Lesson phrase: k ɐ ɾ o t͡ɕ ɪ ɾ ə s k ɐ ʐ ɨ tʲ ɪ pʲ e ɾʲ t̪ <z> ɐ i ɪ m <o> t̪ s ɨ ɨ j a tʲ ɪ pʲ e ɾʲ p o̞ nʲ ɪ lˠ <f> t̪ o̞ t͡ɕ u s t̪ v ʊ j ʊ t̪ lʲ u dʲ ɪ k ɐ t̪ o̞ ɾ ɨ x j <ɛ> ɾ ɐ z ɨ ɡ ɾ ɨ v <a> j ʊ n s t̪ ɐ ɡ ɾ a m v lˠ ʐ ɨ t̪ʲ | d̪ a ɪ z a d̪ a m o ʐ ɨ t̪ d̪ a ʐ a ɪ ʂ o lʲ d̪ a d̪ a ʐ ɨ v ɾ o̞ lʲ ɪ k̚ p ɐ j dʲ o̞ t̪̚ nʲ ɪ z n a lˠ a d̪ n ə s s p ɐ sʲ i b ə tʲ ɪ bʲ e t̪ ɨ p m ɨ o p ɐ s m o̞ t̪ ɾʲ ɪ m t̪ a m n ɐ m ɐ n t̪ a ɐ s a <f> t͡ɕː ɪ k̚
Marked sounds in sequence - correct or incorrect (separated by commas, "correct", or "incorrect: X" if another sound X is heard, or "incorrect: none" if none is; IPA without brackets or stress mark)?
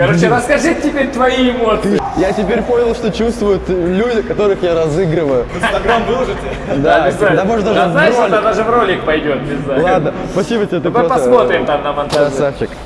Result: incorrect: v, correct, incorrect: ʂ, incorrect: a, incorrect: ə, correct